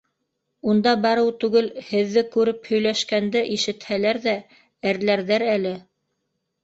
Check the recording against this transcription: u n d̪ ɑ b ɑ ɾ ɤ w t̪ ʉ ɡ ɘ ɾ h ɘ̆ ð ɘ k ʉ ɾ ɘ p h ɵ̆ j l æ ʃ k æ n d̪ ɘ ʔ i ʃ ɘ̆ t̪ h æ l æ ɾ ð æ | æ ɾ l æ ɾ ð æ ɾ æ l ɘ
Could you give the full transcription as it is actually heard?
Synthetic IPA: u n d̪ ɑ b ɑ ɾ ɤ w t̪ ʉ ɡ ɘ l h ɘ̆ ðː ɘ k ʉ ɾ ɘ p h ɵ̆ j l æ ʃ k æ n d̪ ɘ ʔ i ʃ ɘ̆ t̪ h æ l æ ɾ ð æ | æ ɾ l æ ɾ ð æ ɾ æ l ɘ